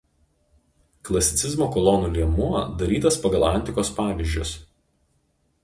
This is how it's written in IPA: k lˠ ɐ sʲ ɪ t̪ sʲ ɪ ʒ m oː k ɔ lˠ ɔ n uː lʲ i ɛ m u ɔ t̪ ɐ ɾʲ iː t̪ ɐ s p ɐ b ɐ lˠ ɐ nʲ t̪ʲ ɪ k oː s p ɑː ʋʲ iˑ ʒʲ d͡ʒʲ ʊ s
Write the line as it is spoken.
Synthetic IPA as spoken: k lˠ ɐ sʲ ɪ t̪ sʲ ɪ z m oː k ɔ lˠ ɔ n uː lʲ i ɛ m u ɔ d̪ ɐ ɾʲ iː t̪ ɐ s p ɐ ɡ ɐ lˠ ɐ nʲ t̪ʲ ɪ k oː s p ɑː ʋʲ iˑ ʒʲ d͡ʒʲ ʊ s

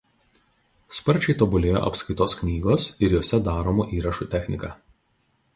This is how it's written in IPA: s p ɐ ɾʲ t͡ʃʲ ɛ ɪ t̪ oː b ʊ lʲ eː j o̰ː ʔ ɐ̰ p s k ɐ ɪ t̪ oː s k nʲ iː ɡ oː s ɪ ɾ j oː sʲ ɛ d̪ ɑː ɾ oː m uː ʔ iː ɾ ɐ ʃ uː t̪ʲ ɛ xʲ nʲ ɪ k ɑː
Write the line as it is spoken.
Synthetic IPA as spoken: s p ɐ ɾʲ t͡ʃʲ ɛ ɪ t̪ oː b ʊ lʲ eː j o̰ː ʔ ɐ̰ p s k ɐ ɪ t̪ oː s k nʲ iː ɡ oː s ɪ ɾ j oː sʲ ɛ d̪ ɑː ɾ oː m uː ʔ iː ɾ ɐ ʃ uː t̪ʲ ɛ xʲ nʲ ɪ k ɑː

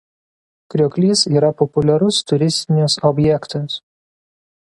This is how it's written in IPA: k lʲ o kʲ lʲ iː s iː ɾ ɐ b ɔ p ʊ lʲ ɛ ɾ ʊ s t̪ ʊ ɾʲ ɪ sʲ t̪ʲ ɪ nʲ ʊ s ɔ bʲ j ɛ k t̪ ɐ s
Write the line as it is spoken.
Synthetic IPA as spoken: k ɾʲ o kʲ lʲ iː s iː ɾ ɐ p ɔ p ʊ lʲ ɛ ɾ ʊ s t̪ ʊ ɾʲ ɪ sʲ t̪ʲ ɪ nʲ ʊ s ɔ bʲ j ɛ k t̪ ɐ s

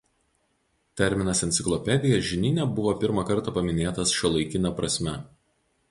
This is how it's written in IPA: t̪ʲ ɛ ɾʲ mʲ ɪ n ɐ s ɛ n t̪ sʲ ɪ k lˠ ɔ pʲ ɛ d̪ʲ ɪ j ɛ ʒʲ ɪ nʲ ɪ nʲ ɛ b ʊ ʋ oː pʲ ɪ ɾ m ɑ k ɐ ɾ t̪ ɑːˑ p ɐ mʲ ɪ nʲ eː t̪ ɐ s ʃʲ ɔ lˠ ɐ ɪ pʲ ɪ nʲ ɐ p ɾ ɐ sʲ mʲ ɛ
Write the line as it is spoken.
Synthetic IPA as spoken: t̪ʲ ɛ ɾʲ mʲ ɪ n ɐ s ɛ n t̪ sʲ ɪ k lˠ ɔ pʲ ɛ d̪ʲ ɪ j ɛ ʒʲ ɪ nʲ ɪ nʲ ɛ b ʊ ʋ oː pʲ ɪ ɾ m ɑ k ɐ ɾ t̪ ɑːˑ p ɐ mʲ ɪ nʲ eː t̪ ɐ s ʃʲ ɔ lˠ ɐ ɪ kʲ ɪ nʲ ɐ p ɾ ɐ sʲ mʲ ɛ

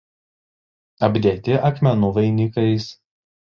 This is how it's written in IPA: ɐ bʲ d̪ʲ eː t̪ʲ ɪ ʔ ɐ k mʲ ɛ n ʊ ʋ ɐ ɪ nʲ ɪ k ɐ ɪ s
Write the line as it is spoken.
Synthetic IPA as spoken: ɐ bʲ d̪ʲ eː t̪ʲ ɪ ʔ ɐ k mʲ ɛ n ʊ ʋ ɐ ɪ nʲ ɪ k ɐ ɪ s

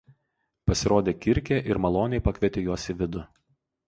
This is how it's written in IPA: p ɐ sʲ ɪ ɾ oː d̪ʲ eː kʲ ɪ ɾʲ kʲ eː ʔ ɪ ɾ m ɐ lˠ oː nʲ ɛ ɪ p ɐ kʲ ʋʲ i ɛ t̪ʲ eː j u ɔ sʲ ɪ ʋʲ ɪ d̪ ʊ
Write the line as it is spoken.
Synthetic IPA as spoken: p ɐ sʲ ɪ ɾ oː d̪ʲ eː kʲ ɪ ɾʲ kʲ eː ʔ ɪ ɾ m ɐ lˠ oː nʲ ɛ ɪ p ɐ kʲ ʋʲ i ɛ t̪ʲ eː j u ɔ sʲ ɪ ʋʲ ɪ d̪ ʊ

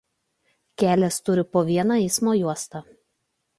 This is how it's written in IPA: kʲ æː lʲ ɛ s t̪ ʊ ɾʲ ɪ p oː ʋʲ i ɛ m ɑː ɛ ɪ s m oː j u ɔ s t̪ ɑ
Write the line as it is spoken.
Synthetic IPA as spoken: kʲ æː lʲ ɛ s t̪ ʊ ɾʲ ɪ p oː ʋʲ i ɛ n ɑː ɛ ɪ s m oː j u ɔ s t̪ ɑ

